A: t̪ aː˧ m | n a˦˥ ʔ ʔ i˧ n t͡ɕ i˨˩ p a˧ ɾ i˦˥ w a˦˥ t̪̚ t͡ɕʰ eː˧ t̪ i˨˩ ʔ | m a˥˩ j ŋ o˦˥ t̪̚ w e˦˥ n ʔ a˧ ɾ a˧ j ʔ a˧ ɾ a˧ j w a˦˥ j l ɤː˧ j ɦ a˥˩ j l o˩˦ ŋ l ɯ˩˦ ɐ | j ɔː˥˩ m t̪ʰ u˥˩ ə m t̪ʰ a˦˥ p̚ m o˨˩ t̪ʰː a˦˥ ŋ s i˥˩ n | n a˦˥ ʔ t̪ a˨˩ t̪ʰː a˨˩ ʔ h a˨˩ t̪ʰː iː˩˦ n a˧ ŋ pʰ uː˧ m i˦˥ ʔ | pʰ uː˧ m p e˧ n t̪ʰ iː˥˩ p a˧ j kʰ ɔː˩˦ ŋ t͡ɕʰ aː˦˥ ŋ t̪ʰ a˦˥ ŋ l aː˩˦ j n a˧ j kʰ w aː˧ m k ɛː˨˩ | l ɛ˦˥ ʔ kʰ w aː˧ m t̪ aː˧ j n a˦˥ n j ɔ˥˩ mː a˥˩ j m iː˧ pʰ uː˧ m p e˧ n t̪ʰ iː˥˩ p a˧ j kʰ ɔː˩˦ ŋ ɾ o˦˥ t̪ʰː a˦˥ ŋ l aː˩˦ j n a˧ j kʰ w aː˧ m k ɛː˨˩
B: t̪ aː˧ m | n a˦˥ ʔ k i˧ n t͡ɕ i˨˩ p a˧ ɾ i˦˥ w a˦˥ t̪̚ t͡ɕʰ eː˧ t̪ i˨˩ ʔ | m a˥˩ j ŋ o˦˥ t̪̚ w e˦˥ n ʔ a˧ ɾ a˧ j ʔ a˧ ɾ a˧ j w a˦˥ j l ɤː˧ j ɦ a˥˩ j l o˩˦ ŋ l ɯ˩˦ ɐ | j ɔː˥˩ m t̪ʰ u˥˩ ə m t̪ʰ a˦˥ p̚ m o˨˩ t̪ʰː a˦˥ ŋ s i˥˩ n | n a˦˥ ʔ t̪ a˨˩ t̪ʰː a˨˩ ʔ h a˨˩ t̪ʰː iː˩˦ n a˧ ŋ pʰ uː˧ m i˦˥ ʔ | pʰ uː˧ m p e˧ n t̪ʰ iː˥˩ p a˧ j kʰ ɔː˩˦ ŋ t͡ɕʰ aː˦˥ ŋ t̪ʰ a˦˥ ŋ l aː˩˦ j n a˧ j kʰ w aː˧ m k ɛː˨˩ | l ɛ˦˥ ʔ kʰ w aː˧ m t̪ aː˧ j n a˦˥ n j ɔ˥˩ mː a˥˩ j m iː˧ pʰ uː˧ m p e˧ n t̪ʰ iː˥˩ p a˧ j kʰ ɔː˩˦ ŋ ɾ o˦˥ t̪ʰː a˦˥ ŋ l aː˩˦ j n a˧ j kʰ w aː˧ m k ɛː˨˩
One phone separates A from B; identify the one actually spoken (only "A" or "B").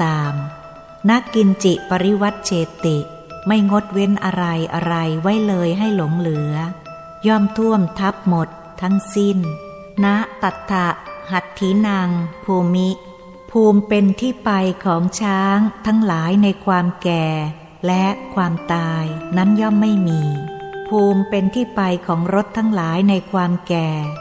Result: B